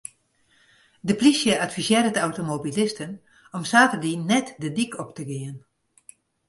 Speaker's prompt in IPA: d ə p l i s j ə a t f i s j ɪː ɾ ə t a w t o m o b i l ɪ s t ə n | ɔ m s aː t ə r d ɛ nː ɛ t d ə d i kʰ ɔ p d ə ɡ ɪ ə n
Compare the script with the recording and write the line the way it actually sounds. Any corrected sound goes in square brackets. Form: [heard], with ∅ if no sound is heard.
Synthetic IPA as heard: d ə p l i s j ə a t f i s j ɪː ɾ ə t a w t o m o b i l ɪ s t ə n | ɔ m s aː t ə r d [i] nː ɛ t d ə d i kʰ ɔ p [t] ə ɡ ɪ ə n